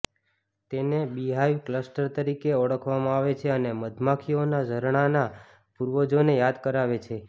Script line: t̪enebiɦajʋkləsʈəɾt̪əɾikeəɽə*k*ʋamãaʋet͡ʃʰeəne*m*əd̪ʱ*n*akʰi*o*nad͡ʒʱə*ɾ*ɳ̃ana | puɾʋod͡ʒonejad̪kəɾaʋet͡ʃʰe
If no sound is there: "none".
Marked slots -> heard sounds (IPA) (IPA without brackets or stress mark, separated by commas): kʰ, m, m, o, ɾ